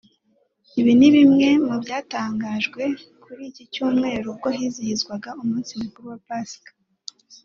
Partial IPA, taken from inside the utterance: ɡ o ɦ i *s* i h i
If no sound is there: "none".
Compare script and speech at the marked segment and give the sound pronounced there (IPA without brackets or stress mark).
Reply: z